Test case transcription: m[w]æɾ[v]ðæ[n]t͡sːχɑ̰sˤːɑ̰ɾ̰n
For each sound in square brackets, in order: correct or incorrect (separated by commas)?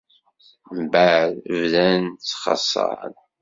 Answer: incorrect, correct, correct